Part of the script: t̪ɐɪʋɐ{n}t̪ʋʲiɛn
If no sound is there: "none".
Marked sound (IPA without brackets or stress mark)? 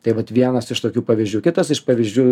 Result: none